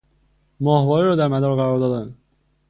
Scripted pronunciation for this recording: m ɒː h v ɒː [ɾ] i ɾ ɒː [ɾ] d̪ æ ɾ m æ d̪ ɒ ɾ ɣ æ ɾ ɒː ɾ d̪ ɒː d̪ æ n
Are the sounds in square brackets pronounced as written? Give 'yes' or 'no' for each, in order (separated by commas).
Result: yes, no